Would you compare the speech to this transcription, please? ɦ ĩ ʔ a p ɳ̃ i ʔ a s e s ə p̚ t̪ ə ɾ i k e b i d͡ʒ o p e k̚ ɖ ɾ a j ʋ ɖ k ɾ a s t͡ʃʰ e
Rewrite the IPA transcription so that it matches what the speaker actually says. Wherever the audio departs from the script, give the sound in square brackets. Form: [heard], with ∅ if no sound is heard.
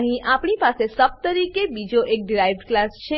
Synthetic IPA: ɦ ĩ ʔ a p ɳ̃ i [p] a s e s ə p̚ t̪ ə ɾ i k e b i d͡ʒ o [ʔ] e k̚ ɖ ɾ a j ʋ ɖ k [l] a s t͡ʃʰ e